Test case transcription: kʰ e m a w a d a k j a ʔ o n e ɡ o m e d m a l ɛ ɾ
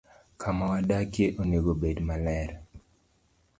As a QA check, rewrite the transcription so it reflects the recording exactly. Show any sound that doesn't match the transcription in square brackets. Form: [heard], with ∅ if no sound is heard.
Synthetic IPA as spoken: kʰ [a] m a w a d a k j [e] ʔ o n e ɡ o [b] e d m a l ɛ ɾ